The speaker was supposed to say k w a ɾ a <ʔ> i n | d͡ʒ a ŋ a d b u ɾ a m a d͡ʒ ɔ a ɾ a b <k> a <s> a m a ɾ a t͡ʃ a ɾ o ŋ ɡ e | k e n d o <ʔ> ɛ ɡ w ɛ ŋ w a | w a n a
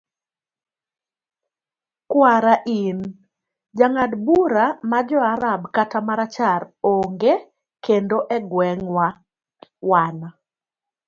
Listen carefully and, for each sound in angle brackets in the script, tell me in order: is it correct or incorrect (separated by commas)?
correct, correct, incorrect, correct